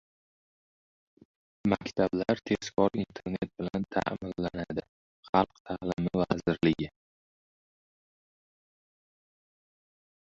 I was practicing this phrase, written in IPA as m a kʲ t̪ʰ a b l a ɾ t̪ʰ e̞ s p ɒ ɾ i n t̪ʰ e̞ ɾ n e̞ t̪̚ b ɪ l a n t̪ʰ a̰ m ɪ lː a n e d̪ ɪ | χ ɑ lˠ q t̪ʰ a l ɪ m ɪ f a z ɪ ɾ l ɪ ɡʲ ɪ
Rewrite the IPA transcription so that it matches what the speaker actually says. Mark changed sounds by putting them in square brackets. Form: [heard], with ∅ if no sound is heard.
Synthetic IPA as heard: m a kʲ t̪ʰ a b l a ɾ t̪ʰ e̞ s [k] ɒ ɾ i n t̪ʰ e̞ ɾ n e̞ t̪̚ b ɪ l a n t̪ʰ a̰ m ɪ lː a n [a] d̪ ɪ | χ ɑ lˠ q t̪ʰ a l ɪ m ɪ [v] a z ɪ ɾ l ɪ ɡʲ ɪ

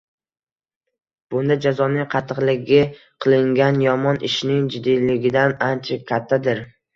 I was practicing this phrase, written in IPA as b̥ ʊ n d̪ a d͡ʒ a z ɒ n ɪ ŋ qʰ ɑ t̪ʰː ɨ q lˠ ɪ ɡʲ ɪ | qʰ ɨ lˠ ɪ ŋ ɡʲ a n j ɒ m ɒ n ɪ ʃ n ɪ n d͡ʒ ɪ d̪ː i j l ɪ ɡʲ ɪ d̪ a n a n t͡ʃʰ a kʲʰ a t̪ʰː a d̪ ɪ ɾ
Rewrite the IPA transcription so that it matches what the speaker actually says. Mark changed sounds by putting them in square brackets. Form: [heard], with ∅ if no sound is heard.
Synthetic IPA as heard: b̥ ʊ n d̪ a d͡ʒ a z ɒ n ɪ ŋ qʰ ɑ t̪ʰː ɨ q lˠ ɪ ɡʲ ɪ | qʰ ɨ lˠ ɪ ŋ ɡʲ a n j ɒ m ɒ n ɪ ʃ n ɪ [ŋ] d͡ʒ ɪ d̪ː i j l ɪ ɡʲ ɪ d̪ a n a n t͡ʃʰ a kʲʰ a t̪ʰː a d̪ ɪ ɾ

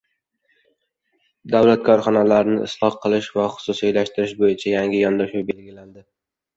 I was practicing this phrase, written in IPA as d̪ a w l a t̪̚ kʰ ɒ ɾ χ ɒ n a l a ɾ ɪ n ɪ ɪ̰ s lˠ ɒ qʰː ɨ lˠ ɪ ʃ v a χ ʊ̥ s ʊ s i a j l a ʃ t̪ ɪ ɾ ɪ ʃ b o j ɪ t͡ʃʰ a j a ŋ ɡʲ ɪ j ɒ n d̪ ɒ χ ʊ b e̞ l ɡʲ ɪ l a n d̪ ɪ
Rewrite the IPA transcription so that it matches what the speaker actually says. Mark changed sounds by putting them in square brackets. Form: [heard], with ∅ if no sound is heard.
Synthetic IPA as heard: d̪ a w l a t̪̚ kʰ ɒ ɾ χ ɒ n a l a ɾ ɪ n ɪ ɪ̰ s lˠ ɒ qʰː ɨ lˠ ɪ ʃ v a χ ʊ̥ s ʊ s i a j l a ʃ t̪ ɪ ɾ ɪ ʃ b o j ɪ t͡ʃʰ a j a ŋ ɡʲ ɪ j ɒ n d̪ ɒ [ʃ] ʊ b e̞ l ɡʲ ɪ l a n d̪ ɪ

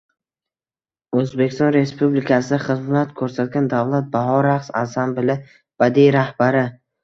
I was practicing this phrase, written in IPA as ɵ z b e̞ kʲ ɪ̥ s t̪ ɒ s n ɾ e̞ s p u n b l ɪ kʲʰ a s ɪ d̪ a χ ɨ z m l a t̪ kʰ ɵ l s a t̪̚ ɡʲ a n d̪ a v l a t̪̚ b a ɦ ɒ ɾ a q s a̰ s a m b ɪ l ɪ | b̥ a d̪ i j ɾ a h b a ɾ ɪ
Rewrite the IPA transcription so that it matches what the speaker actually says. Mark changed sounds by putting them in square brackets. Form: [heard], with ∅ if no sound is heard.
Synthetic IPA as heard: ɵ z b e̞ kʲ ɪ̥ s t̪ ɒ [∅] n ɾ e̞ s p u [∅] b l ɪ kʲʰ a s ɪ d̪ a χ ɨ z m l a t̪ kʰ ɵ [ɾ] s a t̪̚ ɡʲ a n d̪ a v l a t̪̚ b a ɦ ɒ ɾ a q s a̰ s a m b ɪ l ɪ | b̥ a d̪ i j ɾ a h b a ɾ ɪ

